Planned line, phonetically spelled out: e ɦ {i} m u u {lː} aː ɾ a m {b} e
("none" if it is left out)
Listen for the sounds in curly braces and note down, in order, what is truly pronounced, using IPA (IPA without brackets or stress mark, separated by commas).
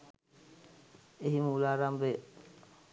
i, l, b